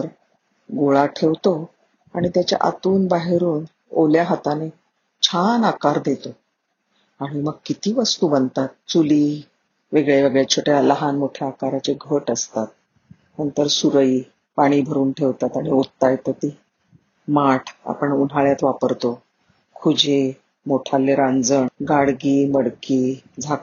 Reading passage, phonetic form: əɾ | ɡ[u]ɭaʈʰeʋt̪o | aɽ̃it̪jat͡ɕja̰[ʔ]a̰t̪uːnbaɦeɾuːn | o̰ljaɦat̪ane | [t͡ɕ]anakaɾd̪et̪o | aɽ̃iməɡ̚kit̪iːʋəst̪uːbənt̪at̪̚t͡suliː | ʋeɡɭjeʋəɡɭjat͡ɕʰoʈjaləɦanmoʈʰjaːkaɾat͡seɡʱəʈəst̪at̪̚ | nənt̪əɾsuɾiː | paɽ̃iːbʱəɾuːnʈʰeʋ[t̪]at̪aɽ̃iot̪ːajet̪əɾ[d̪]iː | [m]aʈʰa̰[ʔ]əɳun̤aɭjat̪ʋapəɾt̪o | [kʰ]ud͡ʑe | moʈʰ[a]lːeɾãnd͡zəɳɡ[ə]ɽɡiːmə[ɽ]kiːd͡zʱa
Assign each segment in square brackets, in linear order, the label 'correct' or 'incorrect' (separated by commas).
incorrect, correct, incorrect, correct, incorrect, correct, incorrect, correct, correct, incorrect, correct